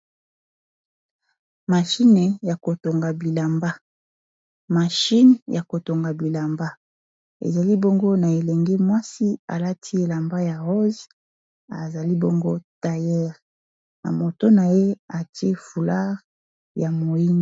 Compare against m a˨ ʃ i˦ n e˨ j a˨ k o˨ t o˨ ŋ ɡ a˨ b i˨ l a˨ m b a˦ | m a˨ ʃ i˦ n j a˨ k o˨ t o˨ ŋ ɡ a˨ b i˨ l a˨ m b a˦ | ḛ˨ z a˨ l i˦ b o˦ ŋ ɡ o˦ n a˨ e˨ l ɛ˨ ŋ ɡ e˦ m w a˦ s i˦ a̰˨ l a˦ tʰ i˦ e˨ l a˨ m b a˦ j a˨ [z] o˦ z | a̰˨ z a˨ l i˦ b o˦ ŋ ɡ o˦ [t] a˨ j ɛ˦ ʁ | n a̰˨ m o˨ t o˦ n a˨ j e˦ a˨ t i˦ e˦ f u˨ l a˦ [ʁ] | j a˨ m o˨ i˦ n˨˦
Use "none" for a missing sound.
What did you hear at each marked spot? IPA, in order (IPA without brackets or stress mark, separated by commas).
ʁ, t, ʁ